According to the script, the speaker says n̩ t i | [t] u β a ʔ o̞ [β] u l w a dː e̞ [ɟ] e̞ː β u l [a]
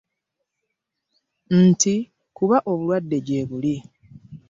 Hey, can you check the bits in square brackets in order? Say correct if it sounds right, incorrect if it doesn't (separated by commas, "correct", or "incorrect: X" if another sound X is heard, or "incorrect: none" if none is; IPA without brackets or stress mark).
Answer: incorrect: k, correct, correct, incorrect: i